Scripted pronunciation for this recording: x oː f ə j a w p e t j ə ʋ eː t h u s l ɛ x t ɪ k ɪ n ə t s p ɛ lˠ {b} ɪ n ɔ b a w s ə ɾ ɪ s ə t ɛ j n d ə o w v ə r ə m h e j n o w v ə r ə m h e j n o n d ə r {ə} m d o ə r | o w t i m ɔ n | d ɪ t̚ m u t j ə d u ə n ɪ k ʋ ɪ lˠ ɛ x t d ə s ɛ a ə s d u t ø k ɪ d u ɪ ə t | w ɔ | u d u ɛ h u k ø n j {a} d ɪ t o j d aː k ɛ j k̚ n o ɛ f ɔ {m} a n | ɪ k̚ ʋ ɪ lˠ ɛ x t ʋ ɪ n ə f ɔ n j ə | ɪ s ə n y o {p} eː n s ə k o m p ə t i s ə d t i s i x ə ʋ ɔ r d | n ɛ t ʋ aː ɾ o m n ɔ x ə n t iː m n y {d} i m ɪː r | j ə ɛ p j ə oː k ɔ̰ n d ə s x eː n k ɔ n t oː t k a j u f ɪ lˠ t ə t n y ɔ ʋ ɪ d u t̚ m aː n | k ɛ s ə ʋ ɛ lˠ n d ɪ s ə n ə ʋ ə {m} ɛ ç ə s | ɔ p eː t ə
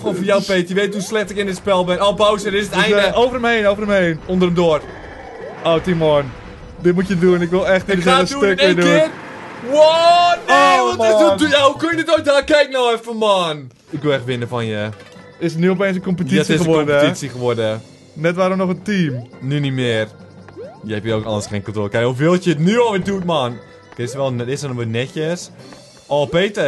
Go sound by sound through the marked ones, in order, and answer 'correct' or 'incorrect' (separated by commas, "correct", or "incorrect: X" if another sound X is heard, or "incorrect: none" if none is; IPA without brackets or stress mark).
correct, correct, incorrect: ə, correct, correct, incorrect: n, incorrect: n